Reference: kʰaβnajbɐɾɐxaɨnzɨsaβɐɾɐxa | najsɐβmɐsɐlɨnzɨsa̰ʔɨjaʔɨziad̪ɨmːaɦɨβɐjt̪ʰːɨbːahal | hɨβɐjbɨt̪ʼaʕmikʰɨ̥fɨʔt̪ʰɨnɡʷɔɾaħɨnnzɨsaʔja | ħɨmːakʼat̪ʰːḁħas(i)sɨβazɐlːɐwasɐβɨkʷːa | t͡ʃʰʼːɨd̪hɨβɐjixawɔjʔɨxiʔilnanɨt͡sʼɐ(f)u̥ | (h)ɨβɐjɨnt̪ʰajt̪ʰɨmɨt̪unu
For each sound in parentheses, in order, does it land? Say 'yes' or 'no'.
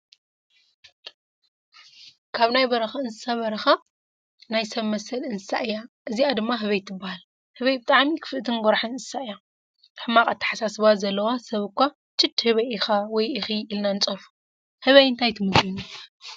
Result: no, yes, yes

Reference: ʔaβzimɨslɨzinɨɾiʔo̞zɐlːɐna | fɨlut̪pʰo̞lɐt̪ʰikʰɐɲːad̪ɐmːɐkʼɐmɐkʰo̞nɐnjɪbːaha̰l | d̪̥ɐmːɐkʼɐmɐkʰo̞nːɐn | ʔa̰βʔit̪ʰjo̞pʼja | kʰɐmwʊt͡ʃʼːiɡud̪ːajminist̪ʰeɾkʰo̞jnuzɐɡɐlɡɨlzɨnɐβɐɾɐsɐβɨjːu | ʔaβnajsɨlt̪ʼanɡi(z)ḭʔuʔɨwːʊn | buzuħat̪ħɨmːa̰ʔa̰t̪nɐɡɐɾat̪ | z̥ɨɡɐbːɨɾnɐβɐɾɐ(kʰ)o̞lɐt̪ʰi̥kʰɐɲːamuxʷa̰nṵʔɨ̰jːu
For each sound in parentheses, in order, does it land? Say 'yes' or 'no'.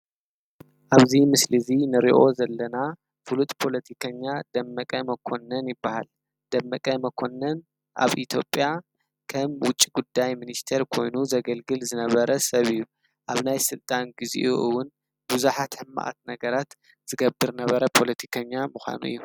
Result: yes, no

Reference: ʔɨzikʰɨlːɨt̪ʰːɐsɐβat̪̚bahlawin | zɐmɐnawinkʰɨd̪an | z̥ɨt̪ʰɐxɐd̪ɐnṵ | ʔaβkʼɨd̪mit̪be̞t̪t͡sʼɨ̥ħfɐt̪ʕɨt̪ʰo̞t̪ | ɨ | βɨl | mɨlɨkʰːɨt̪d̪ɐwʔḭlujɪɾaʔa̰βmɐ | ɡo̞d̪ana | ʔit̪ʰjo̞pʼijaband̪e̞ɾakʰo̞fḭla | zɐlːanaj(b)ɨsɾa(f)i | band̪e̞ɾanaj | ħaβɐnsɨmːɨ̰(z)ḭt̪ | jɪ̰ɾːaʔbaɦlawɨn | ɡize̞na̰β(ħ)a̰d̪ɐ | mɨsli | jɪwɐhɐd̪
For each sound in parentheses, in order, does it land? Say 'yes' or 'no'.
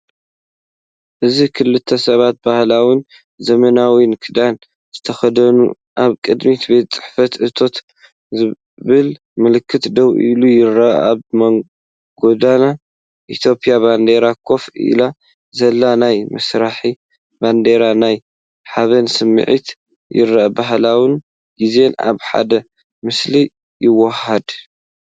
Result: no, no, no, yes

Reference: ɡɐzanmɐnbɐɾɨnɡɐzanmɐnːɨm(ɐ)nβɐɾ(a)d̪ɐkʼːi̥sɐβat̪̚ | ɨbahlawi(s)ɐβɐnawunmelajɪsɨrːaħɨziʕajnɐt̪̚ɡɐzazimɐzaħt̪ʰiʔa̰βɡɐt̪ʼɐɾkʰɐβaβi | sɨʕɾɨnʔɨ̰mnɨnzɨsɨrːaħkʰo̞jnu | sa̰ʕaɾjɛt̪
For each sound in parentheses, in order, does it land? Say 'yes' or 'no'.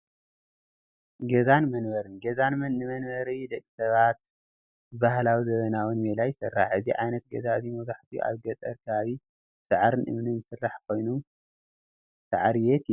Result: yes, no, no

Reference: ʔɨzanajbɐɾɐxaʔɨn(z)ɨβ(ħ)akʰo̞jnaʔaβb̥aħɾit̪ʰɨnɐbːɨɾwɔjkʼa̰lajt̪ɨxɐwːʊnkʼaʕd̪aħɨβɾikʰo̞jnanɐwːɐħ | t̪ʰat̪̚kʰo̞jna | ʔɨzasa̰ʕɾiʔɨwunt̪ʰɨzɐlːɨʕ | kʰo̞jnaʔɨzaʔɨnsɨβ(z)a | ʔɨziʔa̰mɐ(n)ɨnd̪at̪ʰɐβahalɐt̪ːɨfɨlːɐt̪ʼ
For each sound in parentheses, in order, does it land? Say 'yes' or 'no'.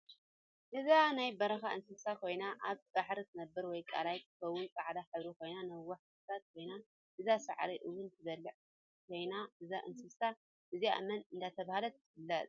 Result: no, no, no, yes

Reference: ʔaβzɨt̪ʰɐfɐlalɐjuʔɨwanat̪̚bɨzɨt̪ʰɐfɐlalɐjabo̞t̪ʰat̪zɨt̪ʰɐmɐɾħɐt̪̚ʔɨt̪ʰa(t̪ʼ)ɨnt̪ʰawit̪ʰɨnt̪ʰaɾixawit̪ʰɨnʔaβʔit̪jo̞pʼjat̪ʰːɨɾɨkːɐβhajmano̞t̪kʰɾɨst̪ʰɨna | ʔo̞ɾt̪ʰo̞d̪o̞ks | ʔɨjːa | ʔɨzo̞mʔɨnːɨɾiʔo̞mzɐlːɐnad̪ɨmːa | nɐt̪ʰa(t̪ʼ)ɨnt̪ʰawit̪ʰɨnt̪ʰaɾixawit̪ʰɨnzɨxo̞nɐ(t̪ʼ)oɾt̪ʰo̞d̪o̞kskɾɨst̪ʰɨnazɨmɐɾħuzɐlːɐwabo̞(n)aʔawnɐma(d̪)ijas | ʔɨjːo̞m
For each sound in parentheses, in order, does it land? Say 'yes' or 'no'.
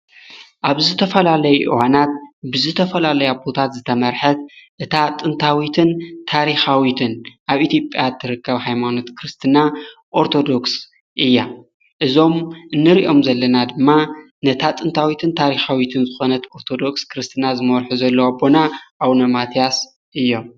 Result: yes, yes, no, yes, no

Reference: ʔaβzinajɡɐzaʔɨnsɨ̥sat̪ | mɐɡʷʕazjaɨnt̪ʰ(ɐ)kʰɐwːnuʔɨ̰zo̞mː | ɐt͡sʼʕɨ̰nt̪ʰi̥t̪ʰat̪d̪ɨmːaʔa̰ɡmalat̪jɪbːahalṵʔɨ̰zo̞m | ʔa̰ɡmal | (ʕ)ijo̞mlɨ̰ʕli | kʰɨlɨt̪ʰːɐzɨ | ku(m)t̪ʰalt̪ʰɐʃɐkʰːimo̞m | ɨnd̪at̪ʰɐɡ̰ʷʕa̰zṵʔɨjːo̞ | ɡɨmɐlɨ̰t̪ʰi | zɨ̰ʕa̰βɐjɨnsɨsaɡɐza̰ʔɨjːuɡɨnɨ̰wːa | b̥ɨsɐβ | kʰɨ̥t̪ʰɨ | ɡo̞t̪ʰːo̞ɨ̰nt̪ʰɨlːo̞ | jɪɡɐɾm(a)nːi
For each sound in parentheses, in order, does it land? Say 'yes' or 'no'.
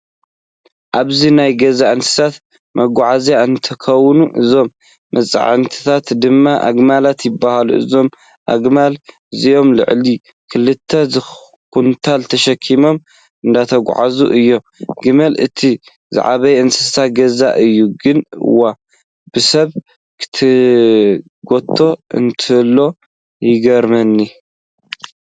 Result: yes, no, no, no

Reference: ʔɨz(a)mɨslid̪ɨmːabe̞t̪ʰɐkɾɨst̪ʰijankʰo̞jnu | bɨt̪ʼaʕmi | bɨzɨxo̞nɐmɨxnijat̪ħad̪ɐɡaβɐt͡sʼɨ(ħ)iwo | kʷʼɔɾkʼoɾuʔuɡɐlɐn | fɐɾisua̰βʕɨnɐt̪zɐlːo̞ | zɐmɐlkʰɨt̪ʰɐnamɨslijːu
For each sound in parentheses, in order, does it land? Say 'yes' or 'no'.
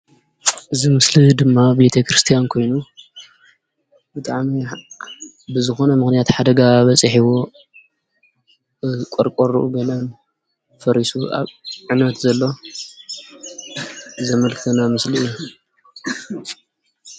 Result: no, yes

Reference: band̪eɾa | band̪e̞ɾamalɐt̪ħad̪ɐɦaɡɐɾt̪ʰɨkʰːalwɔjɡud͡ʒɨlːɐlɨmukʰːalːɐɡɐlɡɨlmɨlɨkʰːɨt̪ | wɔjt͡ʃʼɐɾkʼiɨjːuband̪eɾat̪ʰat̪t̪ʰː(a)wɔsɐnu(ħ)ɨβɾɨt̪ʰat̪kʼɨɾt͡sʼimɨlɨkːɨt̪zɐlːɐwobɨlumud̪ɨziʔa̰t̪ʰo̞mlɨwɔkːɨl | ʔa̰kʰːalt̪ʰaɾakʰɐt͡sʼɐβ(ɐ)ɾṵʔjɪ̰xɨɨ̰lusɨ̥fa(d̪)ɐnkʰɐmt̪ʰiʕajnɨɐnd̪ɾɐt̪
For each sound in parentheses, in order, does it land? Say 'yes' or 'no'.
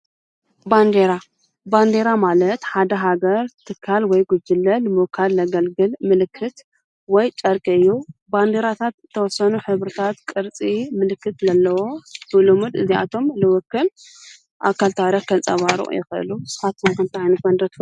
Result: no, yes, no, no

